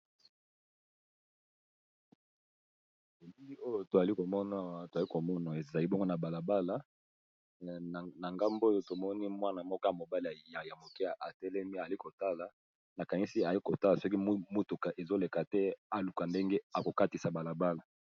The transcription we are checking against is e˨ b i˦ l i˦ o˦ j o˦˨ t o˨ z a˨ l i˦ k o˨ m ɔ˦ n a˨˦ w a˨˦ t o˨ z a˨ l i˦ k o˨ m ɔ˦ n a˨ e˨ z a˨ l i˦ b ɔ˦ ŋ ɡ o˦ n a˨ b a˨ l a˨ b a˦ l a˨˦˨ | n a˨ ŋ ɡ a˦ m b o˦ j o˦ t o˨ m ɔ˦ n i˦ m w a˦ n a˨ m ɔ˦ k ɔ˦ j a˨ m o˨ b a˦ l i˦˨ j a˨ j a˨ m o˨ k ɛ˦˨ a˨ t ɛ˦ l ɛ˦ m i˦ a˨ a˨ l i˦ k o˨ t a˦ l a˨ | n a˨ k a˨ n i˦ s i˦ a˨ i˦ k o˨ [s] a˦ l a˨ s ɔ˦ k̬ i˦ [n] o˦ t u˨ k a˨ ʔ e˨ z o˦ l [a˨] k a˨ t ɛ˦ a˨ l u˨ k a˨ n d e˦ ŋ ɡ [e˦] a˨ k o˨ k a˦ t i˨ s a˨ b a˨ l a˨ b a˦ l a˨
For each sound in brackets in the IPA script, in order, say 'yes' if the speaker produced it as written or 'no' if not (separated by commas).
no, no, no, yes